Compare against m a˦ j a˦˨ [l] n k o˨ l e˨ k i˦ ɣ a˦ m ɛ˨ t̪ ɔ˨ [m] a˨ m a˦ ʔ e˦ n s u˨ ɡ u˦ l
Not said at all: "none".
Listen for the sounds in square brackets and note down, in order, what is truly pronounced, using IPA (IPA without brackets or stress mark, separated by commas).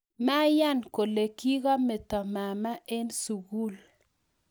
none, m